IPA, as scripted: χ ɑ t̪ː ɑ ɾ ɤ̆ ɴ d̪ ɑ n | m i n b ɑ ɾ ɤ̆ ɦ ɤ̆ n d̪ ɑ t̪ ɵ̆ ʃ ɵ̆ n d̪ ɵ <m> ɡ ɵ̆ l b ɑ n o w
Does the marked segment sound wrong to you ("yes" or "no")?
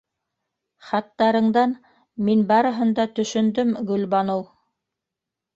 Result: no